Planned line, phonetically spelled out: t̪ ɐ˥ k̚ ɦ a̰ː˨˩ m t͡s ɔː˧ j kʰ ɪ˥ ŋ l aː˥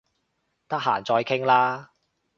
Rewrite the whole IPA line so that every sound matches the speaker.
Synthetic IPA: t̪ ɐ˥ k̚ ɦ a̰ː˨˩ n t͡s ɔː˧ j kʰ ɪ˥ ŋ l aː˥